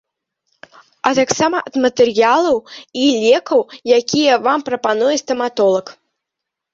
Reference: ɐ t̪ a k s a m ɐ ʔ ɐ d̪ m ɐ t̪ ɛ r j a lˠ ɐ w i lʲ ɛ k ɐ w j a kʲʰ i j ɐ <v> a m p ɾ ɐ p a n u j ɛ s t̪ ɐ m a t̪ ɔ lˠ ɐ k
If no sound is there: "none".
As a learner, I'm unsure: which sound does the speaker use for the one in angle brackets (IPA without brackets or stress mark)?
v